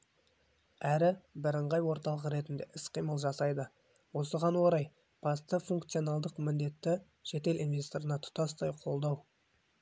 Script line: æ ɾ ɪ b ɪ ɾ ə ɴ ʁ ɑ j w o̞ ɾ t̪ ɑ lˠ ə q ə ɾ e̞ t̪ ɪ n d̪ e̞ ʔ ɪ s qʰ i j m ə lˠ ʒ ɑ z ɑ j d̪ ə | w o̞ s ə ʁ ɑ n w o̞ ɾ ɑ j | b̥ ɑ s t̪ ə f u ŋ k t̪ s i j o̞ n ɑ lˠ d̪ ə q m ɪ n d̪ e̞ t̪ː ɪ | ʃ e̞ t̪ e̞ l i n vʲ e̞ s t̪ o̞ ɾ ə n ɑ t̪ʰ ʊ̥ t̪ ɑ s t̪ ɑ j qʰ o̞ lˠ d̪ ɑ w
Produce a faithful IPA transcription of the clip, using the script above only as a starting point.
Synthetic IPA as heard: æ ɾ ɪ b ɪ ɾ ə ɴ ʁ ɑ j w o̞ ɾ t̪ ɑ lˠ ə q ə ɾ e̞ t̪ ɪ n d̪ e̞ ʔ ɪ s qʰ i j m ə lˠ ʒ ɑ s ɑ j d̪ ə | w o̞ s ə ʁ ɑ n w o̞ ɾ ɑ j | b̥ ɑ s t̪ ə f u ŋ k t̪ s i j o̞ n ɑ lˠ d̪ ə q m ɪ n d̪ e̞ t̪ː ɪ | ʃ e̞ t̪ e̞ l i n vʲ e̞ s t̪ o̞ ɾ ə n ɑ t̪ʰ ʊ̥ t̪ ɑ s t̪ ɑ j qʰ o̞ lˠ d̪ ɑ w